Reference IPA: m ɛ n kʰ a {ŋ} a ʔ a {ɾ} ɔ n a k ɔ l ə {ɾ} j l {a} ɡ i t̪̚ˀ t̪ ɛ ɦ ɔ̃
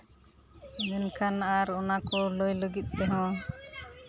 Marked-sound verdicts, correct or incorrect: incorrect, correct, incorrect, incorrect

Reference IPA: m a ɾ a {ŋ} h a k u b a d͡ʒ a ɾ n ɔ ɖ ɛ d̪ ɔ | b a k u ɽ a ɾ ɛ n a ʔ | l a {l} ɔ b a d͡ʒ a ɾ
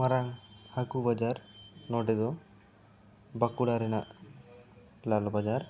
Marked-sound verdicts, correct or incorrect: correct, correct

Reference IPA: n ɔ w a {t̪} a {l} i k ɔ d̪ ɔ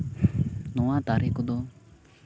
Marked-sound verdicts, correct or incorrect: correct, incorrect

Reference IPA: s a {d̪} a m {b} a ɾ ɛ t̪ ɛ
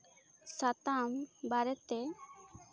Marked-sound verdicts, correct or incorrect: incorrect, correct

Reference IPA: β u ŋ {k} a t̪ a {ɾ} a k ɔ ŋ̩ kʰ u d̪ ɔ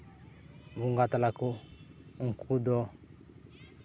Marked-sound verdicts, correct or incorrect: incorrect, incorrect

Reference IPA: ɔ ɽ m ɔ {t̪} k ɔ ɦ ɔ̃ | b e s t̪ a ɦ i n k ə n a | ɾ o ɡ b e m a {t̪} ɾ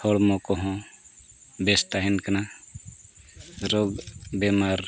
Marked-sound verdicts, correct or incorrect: incorrect, incorrect

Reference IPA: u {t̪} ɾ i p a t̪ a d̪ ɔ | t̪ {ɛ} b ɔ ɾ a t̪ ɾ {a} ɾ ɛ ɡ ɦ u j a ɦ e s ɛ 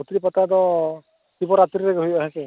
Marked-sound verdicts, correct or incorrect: correct, incorrect, incorrect

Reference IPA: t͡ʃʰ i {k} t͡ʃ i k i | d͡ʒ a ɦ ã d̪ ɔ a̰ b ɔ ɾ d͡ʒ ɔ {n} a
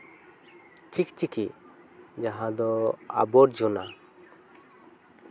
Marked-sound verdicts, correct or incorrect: correct, correct

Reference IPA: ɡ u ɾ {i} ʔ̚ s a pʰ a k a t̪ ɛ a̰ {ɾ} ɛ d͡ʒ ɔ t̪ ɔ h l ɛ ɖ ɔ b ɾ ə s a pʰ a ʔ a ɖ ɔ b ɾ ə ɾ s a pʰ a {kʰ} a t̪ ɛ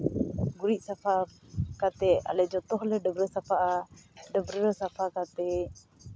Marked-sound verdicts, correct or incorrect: correct, incorrect, incorrect

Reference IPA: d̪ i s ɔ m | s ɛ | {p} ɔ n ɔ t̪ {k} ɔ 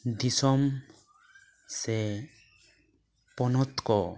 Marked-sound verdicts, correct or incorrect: correct, correct

